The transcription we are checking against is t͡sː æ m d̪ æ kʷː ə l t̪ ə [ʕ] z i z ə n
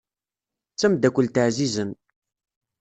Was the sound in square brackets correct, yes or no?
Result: yes